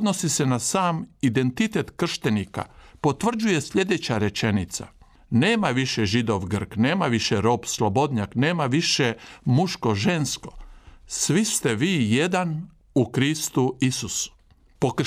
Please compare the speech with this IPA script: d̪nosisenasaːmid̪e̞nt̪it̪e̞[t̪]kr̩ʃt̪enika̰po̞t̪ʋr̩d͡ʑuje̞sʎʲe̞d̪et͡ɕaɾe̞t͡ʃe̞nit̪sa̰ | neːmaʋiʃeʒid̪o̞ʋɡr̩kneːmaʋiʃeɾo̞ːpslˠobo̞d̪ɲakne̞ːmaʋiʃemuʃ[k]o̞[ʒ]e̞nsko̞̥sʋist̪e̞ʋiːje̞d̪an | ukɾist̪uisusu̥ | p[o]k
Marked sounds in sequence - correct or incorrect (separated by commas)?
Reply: correct, correct, correct, correct